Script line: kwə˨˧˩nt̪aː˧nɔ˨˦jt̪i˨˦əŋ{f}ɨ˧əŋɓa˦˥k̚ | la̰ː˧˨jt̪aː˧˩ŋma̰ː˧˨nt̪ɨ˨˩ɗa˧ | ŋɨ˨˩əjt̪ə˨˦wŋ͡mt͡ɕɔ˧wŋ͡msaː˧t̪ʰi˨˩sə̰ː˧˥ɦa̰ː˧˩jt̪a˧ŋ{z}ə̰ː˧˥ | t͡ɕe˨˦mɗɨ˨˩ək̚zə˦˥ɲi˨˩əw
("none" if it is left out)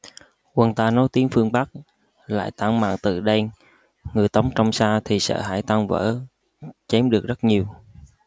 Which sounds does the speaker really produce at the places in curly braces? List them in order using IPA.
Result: f, v

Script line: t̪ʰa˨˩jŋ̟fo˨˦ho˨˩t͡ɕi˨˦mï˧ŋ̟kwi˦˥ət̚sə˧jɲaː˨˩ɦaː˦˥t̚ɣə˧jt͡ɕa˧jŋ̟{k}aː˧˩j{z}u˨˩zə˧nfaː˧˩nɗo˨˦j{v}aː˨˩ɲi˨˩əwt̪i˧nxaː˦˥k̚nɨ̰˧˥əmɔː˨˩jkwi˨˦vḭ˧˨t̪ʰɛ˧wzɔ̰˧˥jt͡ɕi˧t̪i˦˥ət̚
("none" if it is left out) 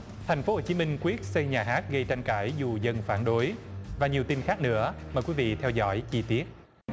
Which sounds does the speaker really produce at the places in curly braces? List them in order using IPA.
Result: k, z, v

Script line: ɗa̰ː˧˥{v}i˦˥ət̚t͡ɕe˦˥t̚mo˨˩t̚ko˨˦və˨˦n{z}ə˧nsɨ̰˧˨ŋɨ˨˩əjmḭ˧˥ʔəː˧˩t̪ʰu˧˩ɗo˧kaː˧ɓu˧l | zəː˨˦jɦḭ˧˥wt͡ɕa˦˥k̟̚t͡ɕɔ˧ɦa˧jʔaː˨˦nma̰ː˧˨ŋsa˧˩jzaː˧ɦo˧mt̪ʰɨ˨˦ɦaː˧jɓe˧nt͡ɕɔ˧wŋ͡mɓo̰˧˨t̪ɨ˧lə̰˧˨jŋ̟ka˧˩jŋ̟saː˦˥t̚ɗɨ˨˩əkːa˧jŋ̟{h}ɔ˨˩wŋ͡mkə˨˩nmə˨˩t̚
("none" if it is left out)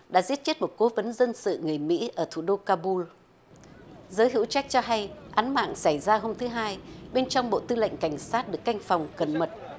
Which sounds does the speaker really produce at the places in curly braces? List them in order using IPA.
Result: z, z, f

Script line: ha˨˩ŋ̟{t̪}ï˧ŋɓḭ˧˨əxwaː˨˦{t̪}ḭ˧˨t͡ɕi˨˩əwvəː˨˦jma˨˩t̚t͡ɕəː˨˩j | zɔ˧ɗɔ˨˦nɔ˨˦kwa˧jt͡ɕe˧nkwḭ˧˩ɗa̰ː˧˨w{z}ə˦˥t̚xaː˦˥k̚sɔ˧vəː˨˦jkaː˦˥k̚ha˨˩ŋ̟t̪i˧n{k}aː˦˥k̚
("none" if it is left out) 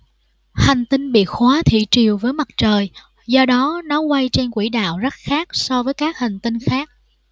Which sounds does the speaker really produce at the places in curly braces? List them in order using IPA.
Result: t̪, t̪ʰ, z, x

